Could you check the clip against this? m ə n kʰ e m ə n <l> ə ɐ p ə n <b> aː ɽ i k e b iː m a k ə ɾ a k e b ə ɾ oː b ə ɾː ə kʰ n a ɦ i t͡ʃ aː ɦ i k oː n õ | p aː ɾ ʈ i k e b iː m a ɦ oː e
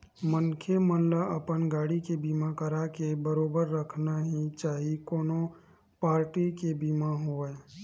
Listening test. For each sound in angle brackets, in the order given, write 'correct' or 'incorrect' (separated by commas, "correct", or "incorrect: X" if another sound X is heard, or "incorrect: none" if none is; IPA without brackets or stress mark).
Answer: correct, incorrect: ɡ